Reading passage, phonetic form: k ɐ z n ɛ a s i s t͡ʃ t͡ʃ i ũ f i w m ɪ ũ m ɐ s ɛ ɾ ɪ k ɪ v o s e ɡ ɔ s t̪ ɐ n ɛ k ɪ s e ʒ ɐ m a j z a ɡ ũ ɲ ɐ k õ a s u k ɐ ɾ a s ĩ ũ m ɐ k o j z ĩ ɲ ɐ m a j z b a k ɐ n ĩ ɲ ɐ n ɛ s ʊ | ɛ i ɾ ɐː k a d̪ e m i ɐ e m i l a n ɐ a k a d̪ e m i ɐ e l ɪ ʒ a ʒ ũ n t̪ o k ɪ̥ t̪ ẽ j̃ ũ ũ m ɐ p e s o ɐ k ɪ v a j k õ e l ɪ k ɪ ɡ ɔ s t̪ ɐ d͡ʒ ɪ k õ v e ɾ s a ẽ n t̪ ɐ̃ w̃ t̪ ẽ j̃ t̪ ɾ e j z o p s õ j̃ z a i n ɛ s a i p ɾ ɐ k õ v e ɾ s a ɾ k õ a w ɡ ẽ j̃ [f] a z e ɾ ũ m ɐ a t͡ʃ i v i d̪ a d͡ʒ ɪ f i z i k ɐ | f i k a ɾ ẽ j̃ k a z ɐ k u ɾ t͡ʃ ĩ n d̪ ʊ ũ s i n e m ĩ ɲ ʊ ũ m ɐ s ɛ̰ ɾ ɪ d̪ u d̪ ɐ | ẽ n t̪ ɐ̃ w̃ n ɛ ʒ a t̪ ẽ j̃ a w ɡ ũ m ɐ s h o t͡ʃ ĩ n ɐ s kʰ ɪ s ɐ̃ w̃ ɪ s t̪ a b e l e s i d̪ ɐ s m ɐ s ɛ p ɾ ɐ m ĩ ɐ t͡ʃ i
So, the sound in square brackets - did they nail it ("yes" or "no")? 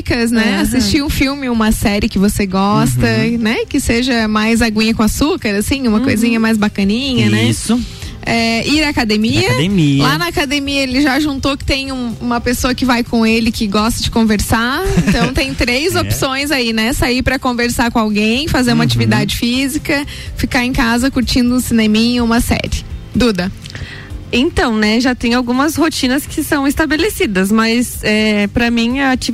yes